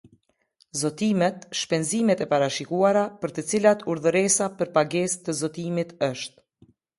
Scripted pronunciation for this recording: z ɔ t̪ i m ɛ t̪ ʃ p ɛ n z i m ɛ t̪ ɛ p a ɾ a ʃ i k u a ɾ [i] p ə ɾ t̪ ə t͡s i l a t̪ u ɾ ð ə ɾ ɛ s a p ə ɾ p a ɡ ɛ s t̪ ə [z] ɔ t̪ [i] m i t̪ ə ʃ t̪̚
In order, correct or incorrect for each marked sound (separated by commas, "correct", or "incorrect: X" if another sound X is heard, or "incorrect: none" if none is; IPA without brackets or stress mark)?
incorrect: a, correct, correct